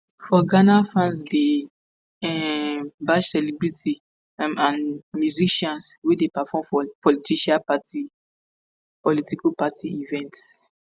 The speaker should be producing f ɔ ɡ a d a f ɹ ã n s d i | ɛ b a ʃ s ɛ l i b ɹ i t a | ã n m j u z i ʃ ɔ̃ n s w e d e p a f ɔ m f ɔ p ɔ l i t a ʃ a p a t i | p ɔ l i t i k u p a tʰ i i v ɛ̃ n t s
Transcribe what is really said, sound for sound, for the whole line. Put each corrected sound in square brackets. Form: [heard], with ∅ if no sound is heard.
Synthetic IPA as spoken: f ɔ ɡ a [n] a f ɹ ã n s d [e] | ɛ b a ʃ s ɛ l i b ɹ i t [i] | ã n m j u z i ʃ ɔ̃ n s w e d e p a f ɔ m f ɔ p ɔ l i t [i] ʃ a p a t i | p ɔ l i t i k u p a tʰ i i v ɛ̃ n t s